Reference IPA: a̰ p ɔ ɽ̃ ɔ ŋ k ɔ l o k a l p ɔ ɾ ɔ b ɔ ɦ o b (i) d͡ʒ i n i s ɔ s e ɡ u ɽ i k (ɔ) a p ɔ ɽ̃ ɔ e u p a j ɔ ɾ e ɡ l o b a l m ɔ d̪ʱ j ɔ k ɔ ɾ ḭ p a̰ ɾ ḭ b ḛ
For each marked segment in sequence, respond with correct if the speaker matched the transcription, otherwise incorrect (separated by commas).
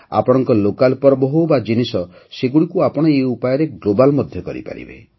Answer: incorrect, incorrect